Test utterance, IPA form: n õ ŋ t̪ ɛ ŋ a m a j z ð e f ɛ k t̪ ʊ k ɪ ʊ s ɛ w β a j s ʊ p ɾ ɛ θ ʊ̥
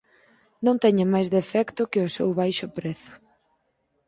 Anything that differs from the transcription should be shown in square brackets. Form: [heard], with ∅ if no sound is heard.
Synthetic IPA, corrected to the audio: n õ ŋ t̪ ɛ [ɲ] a m a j z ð e f ɛ k t̪ ʊ k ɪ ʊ s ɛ w β a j [ʃ] ʊ p ɾ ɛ θ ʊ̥